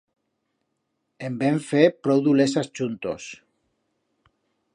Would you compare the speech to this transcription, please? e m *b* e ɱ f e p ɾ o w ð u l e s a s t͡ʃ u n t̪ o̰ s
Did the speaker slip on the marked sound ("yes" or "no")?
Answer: no